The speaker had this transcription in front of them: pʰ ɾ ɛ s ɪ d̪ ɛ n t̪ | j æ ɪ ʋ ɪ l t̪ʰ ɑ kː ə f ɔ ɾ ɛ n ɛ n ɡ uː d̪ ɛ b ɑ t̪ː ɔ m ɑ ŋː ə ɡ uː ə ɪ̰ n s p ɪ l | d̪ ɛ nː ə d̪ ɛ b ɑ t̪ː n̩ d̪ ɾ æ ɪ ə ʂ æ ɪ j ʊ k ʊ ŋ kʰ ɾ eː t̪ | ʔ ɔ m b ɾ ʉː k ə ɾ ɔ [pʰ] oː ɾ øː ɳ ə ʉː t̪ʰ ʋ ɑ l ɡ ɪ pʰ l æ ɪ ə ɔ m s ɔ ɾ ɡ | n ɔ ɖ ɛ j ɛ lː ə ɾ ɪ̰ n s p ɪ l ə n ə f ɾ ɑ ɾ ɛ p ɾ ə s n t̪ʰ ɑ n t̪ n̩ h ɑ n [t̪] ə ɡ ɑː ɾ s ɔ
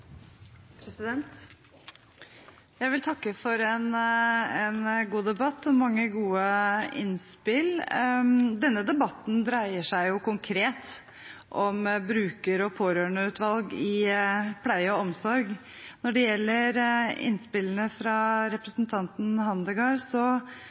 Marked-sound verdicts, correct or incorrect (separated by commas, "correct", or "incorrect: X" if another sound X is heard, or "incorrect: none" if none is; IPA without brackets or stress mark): correct, incorrect: d̪